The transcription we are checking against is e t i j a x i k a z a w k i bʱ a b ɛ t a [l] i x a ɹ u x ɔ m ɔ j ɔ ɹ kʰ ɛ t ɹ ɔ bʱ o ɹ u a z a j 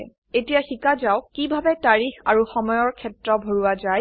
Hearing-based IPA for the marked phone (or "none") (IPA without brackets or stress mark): ɹ